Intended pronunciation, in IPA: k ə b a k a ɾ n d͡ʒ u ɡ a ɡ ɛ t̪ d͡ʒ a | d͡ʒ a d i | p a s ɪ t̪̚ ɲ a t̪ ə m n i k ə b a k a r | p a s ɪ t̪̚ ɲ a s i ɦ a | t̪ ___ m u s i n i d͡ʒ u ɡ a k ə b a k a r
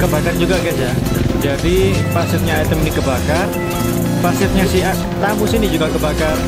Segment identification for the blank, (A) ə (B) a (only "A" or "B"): B